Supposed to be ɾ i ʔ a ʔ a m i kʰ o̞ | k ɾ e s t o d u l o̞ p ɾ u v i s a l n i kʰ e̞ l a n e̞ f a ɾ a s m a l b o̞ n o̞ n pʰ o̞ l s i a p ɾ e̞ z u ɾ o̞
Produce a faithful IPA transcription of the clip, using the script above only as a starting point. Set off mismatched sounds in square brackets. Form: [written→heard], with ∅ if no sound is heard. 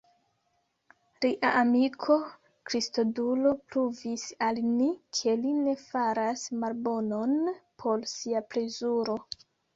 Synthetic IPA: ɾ i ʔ a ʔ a m i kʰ o̞ | k ɾ [e→i] s t o d u l o̞ p ɾ u v i s a l n i kʰ e̞ l [a→i] n e̞ f a ɾ a s m a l b o̞ n o̞ n pʰ o̞ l s i a p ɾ e̞ z u ɾ o̞